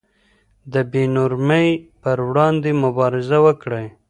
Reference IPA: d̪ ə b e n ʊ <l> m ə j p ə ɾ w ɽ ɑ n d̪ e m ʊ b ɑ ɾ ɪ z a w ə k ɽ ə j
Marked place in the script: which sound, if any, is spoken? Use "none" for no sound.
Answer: ɾ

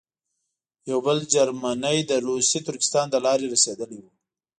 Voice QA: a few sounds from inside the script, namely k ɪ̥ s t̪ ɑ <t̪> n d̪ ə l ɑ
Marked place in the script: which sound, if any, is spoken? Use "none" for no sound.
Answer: none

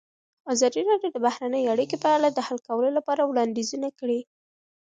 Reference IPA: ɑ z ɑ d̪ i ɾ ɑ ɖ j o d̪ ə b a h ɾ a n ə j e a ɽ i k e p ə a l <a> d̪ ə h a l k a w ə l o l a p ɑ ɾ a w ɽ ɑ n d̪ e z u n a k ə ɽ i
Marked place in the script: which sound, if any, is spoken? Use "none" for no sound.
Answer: a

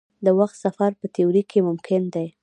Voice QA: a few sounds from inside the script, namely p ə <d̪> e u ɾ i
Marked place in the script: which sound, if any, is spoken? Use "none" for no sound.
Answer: t̪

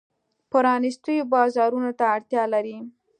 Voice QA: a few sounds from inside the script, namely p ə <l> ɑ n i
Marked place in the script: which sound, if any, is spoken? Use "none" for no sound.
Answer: ɾ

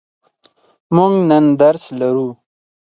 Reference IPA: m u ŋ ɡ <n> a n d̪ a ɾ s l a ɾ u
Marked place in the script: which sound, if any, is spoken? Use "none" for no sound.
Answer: n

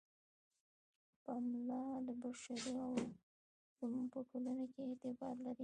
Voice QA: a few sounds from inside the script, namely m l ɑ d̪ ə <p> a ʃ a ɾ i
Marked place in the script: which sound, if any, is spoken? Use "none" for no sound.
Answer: b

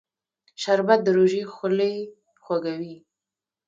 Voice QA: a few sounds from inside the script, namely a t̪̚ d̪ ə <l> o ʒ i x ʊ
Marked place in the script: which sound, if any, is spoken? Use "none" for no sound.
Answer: ɾ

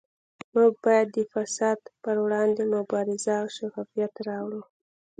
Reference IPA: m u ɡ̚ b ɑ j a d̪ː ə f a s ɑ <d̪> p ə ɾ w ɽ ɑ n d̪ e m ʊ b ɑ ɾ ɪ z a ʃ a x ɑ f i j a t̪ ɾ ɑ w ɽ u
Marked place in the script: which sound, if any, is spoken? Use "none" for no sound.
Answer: d̪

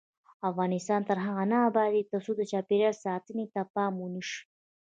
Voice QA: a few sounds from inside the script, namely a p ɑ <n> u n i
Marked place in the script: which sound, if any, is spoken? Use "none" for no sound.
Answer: m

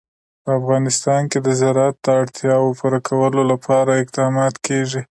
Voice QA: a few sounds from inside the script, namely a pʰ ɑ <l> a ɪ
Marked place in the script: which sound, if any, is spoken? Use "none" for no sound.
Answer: ɾ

